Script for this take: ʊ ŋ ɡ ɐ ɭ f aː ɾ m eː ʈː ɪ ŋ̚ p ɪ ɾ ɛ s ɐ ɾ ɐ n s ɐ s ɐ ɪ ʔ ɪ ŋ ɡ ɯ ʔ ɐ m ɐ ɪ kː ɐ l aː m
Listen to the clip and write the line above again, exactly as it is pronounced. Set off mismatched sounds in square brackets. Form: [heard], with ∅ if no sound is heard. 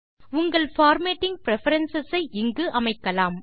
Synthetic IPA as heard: ʊ ŋ ɡ ɐ ɭ f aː ɾ m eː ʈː ɪ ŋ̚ p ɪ ɾ ɛ [f] ɐ ɾ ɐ n s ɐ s ɐ ɪ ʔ ɪ ŋ ɡ ɯ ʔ ɐ m ɐ ɪ kː ɐ l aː m